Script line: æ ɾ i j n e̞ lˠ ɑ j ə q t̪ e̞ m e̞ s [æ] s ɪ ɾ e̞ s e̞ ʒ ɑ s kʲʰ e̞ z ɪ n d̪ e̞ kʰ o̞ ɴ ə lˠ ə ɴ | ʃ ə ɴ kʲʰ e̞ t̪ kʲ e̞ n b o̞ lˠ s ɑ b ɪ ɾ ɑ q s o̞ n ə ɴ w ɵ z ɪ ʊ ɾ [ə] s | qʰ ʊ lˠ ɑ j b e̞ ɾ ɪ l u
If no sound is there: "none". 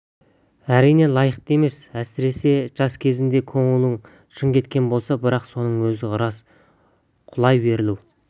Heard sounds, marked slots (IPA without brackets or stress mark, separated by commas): æ, ɑ